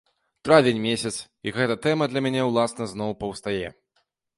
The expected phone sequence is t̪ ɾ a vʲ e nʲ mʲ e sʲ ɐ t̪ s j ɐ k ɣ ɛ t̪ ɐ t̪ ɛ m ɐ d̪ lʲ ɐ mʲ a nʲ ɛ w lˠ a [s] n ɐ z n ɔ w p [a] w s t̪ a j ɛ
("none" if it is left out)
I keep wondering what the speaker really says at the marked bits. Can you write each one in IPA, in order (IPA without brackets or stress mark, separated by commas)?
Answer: s, ɐ